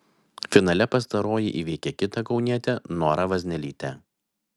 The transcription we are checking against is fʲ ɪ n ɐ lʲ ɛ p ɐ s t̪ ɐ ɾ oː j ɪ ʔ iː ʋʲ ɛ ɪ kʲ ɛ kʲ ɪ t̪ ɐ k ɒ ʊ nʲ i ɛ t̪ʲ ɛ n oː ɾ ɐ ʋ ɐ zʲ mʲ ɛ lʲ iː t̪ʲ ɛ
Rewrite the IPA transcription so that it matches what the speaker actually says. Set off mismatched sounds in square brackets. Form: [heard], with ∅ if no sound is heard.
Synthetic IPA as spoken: fʲ ɪ n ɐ lʲ ɛ p ɐ s t̪ ɐ ɾ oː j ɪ ʔ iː ʋʲ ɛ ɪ kʲ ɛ kʲ ɪ t̪ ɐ k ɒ ʊ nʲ i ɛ t̪ʲ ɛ n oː ɾ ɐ ʋ ɐ zʲ [nʲ] ɛ lʲ iː t̪ʲ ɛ